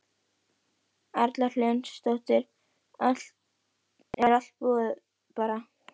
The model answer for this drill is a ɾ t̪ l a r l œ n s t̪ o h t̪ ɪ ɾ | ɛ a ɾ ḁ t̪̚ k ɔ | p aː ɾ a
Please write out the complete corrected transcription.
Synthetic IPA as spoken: a ɾ t̪ l a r l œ n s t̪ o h t̪ ɪ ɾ | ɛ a ɾ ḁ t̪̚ p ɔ | p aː ɾ a